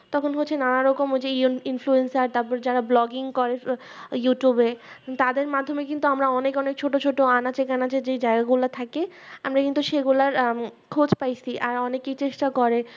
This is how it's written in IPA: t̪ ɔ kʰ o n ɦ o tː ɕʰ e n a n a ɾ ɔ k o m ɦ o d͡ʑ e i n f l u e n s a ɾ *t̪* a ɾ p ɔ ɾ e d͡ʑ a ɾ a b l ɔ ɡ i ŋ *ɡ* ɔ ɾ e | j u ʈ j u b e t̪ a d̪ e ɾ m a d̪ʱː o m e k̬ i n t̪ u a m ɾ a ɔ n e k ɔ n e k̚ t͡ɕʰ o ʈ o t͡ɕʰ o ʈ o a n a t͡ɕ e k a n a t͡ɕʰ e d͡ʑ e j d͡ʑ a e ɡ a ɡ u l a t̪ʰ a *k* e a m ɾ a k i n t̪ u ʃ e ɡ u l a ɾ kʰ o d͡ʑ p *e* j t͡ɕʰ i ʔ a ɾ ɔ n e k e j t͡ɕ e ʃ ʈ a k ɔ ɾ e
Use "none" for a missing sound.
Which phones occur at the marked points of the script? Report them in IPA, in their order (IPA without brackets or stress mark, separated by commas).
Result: t̪, k, k, a